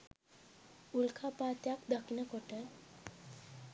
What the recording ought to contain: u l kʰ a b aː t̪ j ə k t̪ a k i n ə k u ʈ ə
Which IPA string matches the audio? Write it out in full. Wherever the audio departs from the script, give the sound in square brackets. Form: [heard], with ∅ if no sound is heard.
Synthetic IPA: u l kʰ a [p] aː t̪ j [a] k [d̪] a k i n ə k [o] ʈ ə